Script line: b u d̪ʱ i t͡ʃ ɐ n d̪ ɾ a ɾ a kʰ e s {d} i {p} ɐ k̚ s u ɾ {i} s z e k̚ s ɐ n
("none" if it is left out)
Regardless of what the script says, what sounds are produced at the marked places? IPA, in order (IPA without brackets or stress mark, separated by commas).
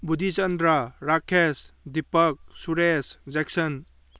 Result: d, p, e